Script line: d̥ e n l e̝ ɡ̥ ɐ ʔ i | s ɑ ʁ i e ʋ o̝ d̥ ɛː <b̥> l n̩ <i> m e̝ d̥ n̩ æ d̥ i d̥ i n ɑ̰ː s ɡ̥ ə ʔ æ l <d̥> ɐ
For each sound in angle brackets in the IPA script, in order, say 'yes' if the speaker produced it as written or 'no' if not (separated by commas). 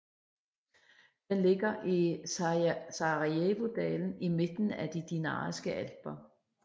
no, yes, no